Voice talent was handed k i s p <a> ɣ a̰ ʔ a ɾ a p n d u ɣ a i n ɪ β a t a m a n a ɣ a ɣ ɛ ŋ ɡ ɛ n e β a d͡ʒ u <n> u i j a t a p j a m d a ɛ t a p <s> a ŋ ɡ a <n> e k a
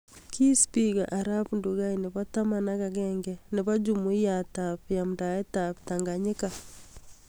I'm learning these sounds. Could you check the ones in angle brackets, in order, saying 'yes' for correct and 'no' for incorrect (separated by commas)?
no, no, no, no